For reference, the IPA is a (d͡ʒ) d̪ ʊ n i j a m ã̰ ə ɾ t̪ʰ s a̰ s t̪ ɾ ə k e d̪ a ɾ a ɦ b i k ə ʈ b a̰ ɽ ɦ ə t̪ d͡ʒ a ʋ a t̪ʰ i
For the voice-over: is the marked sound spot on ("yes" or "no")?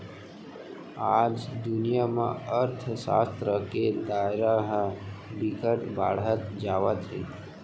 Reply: yes